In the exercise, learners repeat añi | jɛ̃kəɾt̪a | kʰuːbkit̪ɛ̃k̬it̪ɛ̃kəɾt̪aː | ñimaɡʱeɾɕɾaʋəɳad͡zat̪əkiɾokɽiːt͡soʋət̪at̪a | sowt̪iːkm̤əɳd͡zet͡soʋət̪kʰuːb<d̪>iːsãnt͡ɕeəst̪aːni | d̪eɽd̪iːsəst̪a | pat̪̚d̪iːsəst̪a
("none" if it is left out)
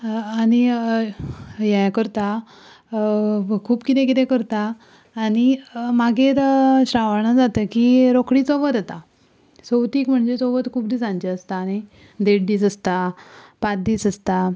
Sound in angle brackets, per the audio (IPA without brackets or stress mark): d̪